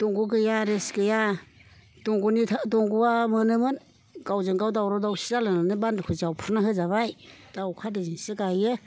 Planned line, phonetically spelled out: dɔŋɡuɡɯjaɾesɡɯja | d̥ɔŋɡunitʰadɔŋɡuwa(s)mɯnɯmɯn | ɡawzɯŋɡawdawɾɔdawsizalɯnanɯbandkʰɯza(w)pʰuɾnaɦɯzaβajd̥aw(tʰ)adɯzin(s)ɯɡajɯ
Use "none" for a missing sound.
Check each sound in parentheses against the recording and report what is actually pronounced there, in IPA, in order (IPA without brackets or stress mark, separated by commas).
none, w, kʰ, s